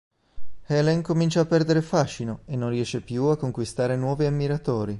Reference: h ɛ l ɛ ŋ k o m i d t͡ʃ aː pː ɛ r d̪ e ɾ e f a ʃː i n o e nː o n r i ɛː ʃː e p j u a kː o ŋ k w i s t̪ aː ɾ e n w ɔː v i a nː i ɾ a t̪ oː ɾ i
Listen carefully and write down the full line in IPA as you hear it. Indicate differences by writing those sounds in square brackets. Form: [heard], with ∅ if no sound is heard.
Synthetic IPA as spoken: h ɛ l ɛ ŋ k o m i [n] t͡ʃ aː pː ɛ r d̪ e ɾ e f a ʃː i n o e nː o n r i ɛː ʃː e p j u a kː o ŋ k w i s t̪ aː ɾ e n w ɔː v i a [mː] i ɾ a t̪ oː ɾ i